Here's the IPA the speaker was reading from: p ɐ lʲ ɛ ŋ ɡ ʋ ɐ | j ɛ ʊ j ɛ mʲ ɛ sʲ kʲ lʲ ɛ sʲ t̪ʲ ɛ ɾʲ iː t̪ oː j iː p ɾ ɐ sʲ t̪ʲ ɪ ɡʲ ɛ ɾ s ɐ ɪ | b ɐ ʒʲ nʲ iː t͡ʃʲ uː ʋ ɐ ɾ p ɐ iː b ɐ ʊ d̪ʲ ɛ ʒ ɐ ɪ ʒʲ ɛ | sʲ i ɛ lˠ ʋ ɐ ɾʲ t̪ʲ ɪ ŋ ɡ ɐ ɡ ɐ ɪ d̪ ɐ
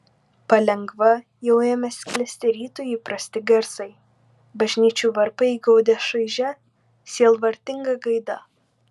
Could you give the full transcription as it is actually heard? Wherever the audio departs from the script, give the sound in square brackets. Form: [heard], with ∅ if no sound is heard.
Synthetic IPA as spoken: p ɐ lʲ ɛ ŋ ɡ ʋ ɐ | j ɛ ʊ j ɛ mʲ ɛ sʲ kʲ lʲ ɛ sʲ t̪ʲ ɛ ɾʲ iː t̪ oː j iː p ɾ ɐ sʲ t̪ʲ ɪ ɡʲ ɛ ɾ s ɐ ɪ | b ɐ ʒʲ nʲ iː t͡ʃʲ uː ʋ ɐ ɾ p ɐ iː [ɡ] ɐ ʊ d̪ʲ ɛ [ʃ] ɐ ɪ ʒʲ ɛ | sʲ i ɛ lˠ ʋ ɐ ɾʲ t̪ʲ ɪ ŋ ɡ ɐ ɡ ɐ ɪ d̪ ɐ